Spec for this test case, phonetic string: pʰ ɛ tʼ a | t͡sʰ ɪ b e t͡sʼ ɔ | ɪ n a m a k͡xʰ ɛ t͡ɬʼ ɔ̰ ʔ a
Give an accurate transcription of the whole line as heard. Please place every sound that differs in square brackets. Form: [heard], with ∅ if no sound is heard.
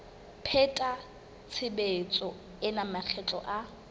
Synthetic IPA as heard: pʰ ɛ tʼ a | t͡sʰ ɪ b e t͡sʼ ɔ | ɪ n a m a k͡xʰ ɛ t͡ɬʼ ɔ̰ ʔ a

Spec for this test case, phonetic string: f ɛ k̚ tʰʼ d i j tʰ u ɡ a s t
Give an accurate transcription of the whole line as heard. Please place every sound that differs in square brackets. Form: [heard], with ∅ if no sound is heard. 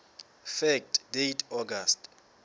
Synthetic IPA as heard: f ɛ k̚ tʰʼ d [e] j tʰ [ɔ] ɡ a s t

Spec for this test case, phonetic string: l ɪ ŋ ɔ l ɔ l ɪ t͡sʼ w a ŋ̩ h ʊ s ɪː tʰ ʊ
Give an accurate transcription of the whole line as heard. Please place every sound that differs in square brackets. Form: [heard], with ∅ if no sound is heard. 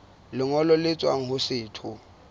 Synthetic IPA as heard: l ɪ ŋ ɔ l ɔ l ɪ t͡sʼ w a ŋ̩ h ʊ s ɪː tʰ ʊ

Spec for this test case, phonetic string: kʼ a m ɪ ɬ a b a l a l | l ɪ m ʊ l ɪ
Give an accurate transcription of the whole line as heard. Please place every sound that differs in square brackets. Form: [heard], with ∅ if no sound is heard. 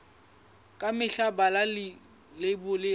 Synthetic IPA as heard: kʼ a m ɪ ɬ a b a l a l | l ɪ [b] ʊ l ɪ

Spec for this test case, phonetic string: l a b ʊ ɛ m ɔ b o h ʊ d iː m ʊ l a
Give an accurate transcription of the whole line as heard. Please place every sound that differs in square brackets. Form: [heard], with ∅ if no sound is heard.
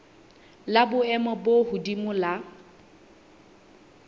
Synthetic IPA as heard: l a b ʊ ɛ m ɔ b o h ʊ d [i] m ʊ l a

